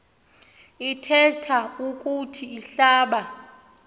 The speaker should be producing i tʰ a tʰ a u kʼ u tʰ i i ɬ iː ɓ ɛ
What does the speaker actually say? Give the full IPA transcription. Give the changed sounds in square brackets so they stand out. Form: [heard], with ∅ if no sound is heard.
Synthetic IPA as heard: i tʰ [ɛ] tʰ a u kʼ u tʰ i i ɬ [aː] ɓ [a]